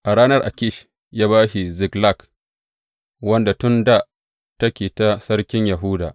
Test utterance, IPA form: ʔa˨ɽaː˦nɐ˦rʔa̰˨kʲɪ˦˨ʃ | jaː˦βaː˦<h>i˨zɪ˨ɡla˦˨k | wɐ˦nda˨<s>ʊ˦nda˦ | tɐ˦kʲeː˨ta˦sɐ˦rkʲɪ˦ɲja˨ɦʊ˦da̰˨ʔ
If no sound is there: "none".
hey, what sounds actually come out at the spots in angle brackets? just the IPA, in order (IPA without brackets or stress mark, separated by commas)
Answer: ʃ, t